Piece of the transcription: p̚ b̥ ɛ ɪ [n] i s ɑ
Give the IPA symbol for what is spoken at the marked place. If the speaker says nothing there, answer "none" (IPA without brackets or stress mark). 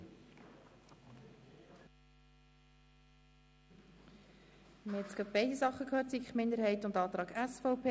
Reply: d